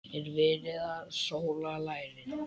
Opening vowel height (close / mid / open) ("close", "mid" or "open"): mid